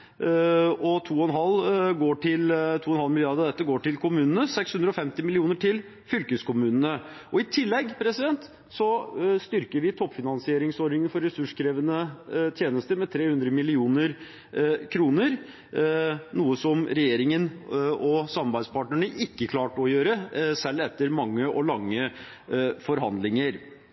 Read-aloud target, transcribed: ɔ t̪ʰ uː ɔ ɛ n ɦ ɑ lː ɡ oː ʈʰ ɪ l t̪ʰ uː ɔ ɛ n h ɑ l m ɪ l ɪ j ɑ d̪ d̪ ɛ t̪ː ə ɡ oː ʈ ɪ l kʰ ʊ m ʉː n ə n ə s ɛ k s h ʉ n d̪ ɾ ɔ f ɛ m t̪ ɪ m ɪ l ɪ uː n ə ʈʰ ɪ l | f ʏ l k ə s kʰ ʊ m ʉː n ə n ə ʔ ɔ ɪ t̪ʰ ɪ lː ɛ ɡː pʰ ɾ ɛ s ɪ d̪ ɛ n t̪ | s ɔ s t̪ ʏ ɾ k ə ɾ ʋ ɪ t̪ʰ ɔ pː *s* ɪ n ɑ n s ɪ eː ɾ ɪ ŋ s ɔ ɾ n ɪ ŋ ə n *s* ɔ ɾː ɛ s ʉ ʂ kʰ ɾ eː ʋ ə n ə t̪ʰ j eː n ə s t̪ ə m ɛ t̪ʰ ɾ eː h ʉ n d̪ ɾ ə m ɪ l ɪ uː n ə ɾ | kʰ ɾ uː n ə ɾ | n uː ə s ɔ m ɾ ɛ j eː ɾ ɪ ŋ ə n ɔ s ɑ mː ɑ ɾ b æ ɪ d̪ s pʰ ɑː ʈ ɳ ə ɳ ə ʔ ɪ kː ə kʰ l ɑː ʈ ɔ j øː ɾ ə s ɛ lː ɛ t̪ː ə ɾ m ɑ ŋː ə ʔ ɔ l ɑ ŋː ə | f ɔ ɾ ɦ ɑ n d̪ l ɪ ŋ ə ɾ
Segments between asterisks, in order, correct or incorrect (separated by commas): incorrect, incorrect